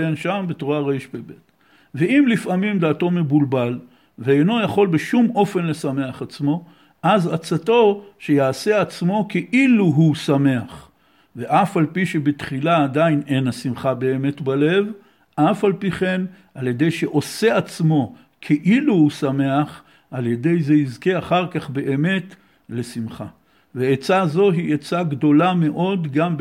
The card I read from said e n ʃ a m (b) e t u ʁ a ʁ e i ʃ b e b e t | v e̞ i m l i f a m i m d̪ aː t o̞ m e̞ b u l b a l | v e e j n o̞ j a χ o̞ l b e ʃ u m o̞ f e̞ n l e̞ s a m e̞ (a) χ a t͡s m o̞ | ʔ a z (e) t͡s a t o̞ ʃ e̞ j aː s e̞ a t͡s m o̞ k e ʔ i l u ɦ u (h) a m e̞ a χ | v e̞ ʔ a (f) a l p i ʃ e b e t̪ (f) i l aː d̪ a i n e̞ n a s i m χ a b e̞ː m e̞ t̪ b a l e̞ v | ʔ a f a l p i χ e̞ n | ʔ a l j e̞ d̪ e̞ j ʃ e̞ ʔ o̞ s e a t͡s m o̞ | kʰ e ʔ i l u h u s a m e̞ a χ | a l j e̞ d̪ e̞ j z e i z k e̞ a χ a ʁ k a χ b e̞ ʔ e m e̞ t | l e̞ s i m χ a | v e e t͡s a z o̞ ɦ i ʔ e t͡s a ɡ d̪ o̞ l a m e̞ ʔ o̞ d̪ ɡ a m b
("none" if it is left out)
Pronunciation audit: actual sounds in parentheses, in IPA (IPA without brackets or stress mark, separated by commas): b, a, a, s, f, χ